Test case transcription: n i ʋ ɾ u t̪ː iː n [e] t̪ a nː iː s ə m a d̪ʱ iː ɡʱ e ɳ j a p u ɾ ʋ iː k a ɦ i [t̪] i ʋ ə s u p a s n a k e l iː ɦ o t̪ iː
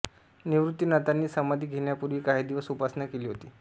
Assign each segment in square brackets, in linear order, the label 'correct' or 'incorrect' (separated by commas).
incorrect, incorrect